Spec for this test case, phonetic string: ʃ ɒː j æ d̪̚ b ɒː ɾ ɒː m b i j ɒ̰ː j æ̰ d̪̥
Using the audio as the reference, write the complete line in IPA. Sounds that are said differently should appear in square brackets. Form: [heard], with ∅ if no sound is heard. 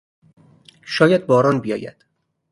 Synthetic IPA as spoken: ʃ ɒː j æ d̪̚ b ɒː ɾ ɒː [n] b i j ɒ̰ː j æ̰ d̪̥

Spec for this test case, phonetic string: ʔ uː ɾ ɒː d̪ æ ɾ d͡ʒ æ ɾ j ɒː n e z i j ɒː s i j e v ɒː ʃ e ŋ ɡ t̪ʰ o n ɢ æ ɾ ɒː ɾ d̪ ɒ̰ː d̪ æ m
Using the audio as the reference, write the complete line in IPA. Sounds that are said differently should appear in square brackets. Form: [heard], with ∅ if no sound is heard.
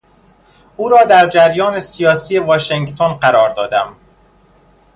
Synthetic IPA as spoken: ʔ uː ɾ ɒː d̪ æ ɾ d͡ʒ æ ɾ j ɒː n e [s] i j ɒː s i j e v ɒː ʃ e ŋ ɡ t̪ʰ o n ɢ æ ɾ ɒː ɾ d̪ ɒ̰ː d̪ æ m

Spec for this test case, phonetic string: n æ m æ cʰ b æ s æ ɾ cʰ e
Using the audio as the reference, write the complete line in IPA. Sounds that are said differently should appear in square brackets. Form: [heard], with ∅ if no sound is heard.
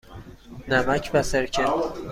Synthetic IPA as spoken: n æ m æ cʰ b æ s [e] ɾ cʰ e

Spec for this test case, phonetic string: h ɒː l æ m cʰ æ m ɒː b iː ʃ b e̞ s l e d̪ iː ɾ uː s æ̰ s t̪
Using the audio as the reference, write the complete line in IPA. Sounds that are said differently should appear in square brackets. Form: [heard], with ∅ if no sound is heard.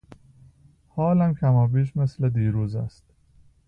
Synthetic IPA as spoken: h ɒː l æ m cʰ æ m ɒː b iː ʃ [m] e̞ s l e d̪ iː ɾ uː [z] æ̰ s t̪

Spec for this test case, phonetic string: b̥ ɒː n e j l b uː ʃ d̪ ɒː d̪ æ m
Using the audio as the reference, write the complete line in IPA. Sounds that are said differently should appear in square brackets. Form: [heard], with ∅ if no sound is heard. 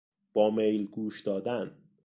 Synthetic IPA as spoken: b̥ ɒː [m] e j l [ɡ] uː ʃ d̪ ɒː d̪ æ [n]

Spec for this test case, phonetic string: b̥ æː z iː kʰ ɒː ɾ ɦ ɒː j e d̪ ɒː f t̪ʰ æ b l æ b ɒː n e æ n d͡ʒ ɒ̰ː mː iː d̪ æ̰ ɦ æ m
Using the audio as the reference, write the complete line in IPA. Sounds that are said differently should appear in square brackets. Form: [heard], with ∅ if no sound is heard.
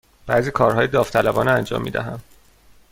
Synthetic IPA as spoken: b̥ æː z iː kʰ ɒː ɾ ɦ ɒː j e d̪ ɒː f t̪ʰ æ [∅] l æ b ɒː n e æ n d͡ʒ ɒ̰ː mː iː d̪ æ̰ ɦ æ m

